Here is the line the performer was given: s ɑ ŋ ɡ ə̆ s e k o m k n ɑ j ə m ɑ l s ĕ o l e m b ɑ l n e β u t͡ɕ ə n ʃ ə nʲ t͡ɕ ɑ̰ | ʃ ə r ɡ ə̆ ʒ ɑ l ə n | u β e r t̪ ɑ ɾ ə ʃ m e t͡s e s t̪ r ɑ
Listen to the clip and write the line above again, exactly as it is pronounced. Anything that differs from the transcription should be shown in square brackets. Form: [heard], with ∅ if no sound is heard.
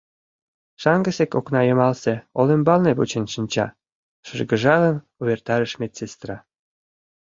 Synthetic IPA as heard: [ʃ] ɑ ŋ ɡ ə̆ s e k o [∅] k n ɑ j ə m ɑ l s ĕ o l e m b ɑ l n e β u t͡ɕ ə n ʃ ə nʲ t͡ɕ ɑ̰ | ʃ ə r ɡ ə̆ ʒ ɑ l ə n | u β e r t̪ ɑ ɾ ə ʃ m e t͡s e s t̪ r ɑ

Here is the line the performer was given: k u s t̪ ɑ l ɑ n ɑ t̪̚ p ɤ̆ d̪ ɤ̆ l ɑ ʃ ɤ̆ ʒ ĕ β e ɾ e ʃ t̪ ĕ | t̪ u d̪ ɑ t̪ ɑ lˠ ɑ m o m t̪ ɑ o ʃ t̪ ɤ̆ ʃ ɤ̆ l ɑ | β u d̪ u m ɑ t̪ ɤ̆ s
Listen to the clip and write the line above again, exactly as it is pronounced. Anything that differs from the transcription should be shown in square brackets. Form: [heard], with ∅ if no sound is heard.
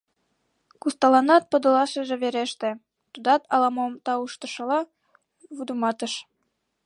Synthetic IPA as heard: k u s t̪ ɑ l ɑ n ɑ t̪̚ p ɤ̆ d̪ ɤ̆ l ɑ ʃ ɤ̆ ʒ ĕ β e ɾ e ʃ t̪ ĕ | t̪ u d̪ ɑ t̪ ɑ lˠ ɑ m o m t̪ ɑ [u] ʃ t̪ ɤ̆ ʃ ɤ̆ l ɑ | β u d̪ u m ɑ t̪ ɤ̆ [ʃ]

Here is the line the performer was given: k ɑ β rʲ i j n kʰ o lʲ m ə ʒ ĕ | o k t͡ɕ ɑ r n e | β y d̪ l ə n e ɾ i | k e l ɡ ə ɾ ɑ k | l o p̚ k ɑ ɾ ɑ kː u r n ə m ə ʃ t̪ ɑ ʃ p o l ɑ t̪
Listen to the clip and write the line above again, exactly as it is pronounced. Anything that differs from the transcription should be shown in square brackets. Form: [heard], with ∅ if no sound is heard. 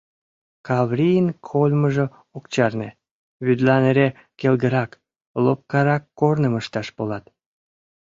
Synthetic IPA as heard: k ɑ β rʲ i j n kʰ o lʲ m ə ʒ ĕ | o k t͡ɕ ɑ r n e | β y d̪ l [ɑ] n e ɾ [e] | k e l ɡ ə ɾ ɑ k | l o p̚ k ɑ ɾ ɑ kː [o] r n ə m ə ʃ t̪ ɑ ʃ p o l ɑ t̪

